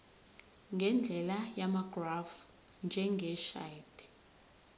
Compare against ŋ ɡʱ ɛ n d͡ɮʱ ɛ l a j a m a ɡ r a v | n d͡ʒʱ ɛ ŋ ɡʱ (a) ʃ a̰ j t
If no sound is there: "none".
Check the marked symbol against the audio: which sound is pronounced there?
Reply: ɛ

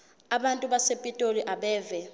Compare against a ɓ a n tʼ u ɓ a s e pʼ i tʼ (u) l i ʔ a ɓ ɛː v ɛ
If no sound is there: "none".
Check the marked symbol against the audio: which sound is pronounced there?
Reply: o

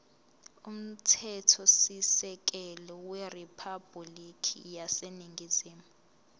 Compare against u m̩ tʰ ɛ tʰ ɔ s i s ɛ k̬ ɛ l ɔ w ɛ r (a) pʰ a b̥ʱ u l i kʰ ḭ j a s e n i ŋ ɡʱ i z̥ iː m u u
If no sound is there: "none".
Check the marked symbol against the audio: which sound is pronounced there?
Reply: i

